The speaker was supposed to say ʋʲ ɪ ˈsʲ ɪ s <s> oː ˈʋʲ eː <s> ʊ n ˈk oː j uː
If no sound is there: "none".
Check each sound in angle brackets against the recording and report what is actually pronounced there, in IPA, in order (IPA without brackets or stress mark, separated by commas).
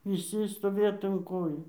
t, t